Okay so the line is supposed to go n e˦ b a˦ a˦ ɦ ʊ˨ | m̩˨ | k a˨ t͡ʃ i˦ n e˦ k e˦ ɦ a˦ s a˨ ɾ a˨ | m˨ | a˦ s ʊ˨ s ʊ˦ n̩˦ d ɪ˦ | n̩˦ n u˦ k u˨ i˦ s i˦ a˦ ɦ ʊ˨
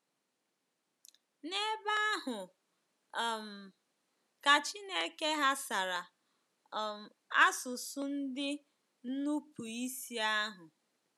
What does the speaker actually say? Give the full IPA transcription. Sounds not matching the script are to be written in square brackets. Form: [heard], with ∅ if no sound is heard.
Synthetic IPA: n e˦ b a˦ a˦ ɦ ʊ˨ | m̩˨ | k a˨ t͡ʃ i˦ n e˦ k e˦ ɦ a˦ s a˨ ɾ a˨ | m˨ | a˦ s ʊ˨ s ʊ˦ n̩˦ d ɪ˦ | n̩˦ n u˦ [p] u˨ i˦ s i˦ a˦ ɦ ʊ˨

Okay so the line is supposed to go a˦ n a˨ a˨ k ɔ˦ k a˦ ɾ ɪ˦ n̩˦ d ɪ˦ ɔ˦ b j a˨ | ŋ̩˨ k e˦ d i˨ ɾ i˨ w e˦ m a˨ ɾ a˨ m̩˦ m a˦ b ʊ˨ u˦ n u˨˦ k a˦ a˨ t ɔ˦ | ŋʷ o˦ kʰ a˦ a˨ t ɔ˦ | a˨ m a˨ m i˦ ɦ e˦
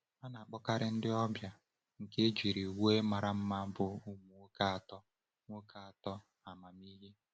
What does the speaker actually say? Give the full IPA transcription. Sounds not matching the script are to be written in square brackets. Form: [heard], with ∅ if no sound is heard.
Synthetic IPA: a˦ n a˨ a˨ [k͡p] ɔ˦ k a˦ ɾ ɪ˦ n̩˦ d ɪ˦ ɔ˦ b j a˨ | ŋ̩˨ k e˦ [d͡ʒ] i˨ ɾ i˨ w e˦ m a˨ ɾ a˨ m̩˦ m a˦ b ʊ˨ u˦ [m] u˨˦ k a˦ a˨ t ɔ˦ | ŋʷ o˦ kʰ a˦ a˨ t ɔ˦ | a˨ m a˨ m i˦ ɦ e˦

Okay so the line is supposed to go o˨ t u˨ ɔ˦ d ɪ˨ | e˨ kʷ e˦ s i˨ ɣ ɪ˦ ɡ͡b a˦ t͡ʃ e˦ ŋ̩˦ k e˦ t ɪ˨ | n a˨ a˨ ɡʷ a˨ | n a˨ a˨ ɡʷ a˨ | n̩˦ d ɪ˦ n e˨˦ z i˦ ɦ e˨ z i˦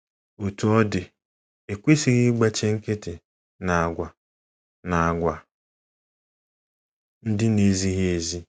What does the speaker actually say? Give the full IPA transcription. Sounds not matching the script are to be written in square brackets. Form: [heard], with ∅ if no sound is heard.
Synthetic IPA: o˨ t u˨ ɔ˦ d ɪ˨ | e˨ kʷ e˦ s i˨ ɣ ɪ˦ ɡ͡b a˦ t͡ʃ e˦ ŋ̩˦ k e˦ t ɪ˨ | n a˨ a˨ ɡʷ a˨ | n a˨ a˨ ɡʷ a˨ | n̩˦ d ɪ˦ n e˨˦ z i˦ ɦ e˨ z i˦

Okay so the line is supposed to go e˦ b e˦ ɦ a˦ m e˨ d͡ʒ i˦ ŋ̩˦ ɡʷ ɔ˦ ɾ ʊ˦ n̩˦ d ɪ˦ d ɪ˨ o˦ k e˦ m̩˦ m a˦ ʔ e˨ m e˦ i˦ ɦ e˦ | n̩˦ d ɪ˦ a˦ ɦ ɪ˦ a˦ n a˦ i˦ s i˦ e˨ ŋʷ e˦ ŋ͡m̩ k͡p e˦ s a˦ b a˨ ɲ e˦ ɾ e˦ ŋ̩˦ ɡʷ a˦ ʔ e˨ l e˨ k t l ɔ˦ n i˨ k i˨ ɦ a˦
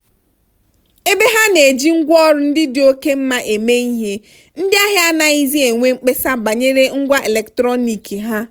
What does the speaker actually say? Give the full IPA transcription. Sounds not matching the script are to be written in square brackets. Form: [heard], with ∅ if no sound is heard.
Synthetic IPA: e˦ b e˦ ɦ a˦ [n] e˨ d͡ʒ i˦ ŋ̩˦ ɡʷ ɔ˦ ɾ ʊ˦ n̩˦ d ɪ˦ d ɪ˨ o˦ k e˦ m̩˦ m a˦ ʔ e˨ m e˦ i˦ ɦ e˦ | n̩˦ d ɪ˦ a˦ ɦ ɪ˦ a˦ n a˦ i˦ [z] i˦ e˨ ŋʷ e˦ ŋ͡m̩ k͡p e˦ s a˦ b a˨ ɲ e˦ ɾ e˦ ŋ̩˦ ɡʷ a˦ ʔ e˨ l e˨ k t [ɾ] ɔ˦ n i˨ k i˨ ɦ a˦

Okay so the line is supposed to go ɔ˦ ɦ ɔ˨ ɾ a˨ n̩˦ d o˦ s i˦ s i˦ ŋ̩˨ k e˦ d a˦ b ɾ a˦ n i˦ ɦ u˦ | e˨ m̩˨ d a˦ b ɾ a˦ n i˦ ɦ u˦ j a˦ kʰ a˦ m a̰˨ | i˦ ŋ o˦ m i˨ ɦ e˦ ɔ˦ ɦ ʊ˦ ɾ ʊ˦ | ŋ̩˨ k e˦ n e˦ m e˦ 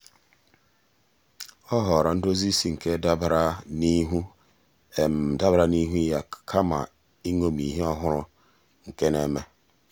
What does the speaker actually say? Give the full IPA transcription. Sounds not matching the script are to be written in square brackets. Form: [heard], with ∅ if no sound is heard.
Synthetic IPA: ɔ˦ ɦ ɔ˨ ɾ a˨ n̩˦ d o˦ [z] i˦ s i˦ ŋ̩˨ k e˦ d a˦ b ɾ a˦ n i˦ ɦ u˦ | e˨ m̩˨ d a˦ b ɾ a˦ n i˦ ɦ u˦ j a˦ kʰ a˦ m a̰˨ | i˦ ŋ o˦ m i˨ ɦ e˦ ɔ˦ ɦ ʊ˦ ɾ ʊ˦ | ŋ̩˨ k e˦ n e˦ m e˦

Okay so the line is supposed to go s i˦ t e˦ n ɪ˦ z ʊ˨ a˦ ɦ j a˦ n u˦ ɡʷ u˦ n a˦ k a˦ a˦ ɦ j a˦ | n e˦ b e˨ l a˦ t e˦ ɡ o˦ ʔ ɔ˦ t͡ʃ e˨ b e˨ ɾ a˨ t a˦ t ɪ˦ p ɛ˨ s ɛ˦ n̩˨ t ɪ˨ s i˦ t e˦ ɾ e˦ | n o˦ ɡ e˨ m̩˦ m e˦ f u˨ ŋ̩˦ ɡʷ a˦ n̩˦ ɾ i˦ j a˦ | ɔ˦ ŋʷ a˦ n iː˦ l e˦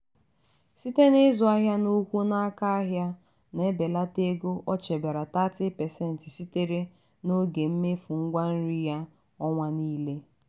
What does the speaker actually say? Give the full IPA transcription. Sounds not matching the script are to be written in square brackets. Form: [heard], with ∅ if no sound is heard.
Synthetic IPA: s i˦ t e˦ n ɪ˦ z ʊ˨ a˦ ɦ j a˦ n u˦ [kʷ] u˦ n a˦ k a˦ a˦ ɦ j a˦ | n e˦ b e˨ l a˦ t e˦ ɡ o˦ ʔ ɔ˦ t͡ʃ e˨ b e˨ ɾ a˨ t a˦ t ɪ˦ p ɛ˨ s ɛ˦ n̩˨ t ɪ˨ s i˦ t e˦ ɾ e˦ | n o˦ ɡ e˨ m̩˦ m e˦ f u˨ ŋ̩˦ ɡʷ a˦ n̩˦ ɾ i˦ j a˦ | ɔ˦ ŋʷ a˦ n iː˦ l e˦

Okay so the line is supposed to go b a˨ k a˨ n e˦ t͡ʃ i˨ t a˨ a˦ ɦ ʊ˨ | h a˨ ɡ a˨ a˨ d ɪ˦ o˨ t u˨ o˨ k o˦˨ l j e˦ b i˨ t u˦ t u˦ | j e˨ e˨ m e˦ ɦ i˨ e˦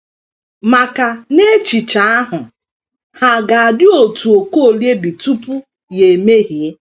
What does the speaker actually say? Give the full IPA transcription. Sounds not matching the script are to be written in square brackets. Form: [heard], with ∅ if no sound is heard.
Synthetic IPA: [m] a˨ k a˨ n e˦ t͡ʃ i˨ [t͡ʃ] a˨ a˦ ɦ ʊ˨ | h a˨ ɡ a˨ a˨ d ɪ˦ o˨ t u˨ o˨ k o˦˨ l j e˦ b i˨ t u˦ [p] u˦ | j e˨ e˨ m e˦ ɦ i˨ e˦

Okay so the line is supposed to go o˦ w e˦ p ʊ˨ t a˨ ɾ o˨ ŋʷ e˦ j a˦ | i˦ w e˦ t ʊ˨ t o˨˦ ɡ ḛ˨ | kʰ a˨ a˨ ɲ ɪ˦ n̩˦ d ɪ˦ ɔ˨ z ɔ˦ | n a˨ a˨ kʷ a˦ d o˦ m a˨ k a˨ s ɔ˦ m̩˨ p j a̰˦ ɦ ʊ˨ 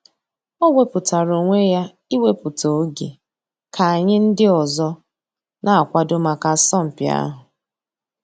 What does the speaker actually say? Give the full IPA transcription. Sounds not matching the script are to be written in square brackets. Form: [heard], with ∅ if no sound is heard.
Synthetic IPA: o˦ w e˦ p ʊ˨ t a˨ ɾ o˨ ŋʷ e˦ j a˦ | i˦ w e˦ [p] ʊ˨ t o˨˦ ɡ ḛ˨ | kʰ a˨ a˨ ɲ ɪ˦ n̩˦ d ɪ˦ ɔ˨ z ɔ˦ | n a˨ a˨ kʷ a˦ d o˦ m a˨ k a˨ s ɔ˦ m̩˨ p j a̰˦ ɦ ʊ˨

